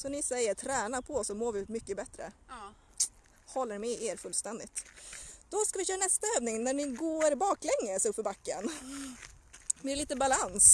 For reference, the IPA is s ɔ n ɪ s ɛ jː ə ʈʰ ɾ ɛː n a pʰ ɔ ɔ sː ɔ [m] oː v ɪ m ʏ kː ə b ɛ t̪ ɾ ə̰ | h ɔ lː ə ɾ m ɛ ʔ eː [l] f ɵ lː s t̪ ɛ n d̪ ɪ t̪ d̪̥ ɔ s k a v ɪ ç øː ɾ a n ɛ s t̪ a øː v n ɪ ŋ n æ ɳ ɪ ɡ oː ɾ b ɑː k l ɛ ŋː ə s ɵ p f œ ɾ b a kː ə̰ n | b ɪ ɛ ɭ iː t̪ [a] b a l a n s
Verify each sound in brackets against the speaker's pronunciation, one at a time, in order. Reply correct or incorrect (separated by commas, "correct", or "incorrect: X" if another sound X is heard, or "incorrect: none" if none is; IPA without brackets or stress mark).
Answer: correct, incorrect: ɾ, incorrect: ə